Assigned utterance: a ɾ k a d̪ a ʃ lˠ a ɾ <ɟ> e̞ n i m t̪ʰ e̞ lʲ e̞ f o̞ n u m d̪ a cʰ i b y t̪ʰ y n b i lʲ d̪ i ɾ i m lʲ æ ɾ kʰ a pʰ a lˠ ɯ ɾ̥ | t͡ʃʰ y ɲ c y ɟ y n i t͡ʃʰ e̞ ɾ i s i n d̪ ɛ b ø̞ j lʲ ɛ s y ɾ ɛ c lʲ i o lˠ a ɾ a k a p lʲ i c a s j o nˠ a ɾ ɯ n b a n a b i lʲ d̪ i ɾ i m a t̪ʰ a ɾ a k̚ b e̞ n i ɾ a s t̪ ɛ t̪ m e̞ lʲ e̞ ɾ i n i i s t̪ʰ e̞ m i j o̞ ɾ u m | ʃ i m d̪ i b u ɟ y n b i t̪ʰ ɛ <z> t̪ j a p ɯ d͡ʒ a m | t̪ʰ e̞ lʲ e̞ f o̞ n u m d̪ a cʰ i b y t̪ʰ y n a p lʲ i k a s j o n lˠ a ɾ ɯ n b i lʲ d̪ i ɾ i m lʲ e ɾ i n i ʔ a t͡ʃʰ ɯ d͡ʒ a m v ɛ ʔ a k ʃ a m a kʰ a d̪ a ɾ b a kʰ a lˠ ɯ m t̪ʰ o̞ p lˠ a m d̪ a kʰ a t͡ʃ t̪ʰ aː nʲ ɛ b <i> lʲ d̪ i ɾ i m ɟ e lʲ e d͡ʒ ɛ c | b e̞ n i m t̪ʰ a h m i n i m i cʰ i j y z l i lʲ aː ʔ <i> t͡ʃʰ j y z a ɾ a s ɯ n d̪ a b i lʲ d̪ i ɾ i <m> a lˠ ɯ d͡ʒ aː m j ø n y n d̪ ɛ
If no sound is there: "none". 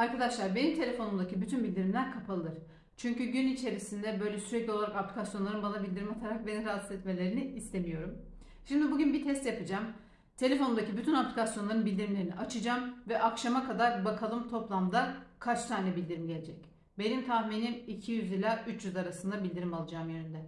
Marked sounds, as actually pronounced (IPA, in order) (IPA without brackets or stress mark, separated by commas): b, s, i, y, m